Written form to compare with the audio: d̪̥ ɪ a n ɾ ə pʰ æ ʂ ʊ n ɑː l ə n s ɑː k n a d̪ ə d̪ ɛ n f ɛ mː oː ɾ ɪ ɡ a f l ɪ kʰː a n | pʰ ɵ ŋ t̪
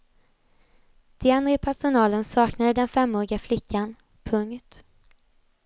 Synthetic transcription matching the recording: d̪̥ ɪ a n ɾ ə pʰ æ ʂ ʊ n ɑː l ə n s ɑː k n a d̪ ə d̪ ɛ n f ɛ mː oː ɾ ɪ ɡ a f l ɪ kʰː a n | pʰ ɵ ŋ t̪